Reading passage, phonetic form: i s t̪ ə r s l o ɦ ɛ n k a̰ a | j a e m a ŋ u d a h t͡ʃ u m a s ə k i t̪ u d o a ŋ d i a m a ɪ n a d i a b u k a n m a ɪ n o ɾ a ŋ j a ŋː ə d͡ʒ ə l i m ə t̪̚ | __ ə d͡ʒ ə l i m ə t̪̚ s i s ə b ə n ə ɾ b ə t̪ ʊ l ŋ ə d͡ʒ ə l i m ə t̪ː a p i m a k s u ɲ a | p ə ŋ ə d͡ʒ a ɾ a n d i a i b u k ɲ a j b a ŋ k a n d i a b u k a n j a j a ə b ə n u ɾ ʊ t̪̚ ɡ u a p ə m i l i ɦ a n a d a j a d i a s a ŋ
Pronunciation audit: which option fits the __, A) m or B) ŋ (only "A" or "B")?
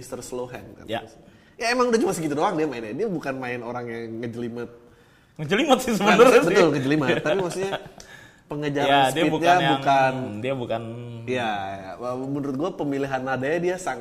B